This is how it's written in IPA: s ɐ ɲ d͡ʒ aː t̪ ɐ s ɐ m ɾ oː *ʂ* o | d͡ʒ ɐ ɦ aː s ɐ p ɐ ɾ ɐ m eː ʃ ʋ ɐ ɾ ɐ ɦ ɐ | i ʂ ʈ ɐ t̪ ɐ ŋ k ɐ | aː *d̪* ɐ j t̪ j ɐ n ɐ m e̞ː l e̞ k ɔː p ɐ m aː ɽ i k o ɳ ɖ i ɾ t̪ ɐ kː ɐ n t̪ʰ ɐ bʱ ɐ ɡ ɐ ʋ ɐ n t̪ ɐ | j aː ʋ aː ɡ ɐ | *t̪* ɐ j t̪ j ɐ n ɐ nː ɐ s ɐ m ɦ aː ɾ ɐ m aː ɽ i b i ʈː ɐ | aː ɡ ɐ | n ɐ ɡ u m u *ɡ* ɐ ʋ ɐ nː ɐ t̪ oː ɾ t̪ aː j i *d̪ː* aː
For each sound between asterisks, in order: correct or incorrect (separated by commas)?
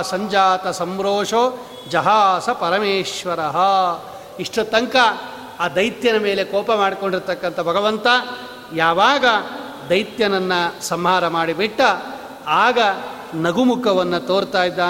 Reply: correct, correct, incorrect, incorrect, correct